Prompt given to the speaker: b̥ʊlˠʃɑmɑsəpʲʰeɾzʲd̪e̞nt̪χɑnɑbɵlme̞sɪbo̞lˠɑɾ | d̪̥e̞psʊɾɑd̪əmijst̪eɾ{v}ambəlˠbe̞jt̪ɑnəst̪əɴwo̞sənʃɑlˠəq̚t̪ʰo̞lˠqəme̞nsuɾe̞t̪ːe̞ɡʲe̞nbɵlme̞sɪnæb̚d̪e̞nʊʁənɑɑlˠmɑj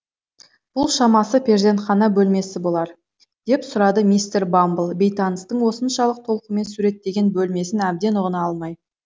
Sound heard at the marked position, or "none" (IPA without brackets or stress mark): b